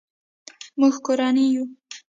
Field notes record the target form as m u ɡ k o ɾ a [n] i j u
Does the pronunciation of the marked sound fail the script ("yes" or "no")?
no